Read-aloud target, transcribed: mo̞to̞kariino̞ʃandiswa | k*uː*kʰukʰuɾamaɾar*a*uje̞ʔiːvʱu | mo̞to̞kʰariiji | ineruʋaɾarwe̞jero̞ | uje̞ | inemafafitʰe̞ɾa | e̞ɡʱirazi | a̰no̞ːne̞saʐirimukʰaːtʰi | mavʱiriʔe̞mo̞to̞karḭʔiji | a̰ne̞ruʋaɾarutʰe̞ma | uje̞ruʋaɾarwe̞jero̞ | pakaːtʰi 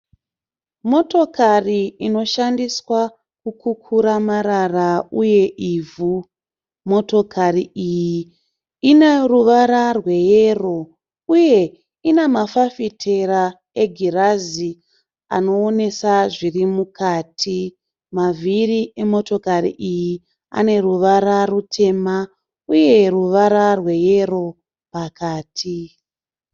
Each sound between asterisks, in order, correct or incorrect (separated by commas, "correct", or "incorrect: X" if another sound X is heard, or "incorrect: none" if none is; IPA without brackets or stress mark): incorrect: u, correct